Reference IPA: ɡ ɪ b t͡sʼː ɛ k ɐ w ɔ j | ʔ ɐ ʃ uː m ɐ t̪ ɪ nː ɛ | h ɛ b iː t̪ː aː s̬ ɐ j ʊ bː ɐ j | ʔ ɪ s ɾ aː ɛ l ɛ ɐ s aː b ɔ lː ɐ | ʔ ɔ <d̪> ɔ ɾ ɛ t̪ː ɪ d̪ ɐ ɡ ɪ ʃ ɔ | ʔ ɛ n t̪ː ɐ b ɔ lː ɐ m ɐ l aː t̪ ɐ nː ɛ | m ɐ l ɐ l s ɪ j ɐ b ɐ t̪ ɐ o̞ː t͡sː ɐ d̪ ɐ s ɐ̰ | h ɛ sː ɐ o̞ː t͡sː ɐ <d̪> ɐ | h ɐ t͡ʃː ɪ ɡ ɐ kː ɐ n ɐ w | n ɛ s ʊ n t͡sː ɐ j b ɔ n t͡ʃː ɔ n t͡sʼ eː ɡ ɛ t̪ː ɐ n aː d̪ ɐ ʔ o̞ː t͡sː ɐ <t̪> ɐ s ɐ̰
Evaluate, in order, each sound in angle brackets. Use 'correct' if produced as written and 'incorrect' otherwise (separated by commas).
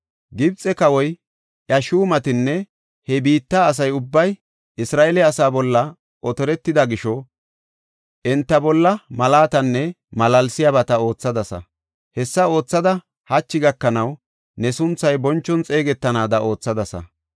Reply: incorrect, correct, incorrect